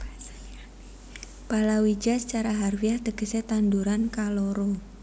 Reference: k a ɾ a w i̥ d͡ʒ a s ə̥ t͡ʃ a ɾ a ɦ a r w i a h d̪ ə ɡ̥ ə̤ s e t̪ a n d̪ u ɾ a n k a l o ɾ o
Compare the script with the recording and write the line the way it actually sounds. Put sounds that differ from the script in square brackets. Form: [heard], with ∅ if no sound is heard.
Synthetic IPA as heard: [p] a [l] a w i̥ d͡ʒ a s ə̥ t͡ʃ a ɾ a ɦ a r w i a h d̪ ə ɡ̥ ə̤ s e t̪ a n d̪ u ɾ a n k a l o ɾ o